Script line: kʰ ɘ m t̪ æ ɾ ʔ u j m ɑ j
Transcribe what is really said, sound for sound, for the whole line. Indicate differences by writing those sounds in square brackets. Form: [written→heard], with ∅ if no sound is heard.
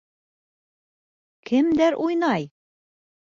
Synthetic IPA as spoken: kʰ ɘ m [t̪→d̪] æ ɾ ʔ u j [m→n] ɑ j